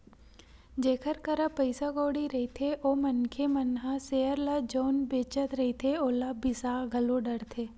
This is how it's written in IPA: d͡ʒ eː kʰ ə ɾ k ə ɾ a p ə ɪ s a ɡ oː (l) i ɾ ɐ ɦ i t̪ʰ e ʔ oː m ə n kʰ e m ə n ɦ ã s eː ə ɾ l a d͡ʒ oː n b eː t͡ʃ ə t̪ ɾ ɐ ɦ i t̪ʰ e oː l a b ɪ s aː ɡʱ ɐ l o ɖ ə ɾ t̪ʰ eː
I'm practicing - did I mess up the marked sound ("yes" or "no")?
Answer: yes